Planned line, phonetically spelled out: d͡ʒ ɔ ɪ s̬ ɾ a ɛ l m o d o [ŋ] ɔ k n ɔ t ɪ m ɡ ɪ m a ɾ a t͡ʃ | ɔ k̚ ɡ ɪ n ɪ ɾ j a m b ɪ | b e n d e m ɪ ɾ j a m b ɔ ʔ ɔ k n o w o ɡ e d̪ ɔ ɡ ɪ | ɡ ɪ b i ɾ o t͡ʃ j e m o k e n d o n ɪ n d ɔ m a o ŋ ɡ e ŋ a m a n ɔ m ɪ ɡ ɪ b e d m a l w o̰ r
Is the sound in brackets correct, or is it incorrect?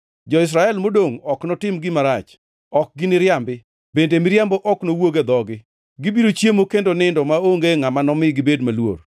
correct